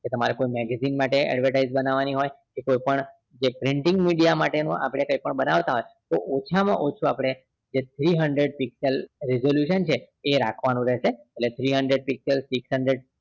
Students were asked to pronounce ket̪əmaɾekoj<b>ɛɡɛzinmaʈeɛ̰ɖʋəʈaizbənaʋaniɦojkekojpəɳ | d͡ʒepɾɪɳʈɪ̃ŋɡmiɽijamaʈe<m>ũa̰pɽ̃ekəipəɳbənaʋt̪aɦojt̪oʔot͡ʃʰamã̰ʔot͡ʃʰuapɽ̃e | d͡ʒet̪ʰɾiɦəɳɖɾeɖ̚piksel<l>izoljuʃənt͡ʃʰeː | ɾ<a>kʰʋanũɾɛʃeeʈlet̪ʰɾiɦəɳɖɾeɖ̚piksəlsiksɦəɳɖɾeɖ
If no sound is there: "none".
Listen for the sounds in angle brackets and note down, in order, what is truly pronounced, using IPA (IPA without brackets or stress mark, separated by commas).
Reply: m, n, ɾ, a